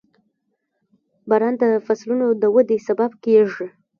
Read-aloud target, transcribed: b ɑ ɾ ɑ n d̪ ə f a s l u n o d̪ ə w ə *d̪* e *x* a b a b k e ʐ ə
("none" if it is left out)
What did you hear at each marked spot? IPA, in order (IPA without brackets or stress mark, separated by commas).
d̪, s